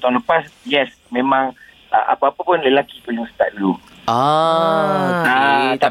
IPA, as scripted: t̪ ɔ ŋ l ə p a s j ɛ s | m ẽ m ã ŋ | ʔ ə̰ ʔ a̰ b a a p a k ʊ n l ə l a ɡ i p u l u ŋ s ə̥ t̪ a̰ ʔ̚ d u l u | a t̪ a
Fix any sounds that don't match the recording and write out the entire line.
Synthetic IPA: t̪ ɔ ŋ l ə p a s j ɛ s | m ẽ m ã ŋ | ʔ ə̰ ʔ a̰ p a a p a p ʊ n l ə l a k i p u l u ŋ s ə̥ t̪ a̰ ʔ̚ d u l u | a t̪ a